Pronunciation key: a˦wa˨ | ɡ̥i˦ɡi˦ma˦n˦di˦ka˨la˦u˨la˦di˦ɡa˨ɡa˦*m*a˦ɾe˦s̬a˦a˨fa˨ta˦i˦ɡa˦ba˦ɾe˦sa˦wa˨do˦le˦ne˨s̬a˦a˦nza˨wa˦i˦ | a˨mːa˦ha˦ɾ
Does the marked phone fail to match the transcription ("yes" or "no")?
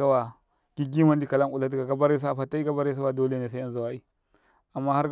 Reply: yes